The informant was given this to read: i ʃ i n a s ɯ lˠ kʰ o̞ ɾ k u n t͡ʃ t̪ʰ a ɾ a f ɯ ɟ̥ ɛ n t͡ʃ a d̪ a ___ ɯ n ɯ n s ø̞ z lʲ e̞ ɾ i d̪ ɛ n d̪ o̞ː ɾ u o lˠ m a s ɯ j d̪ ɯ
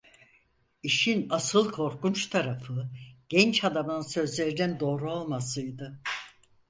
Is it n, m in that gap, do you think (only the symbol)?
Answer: m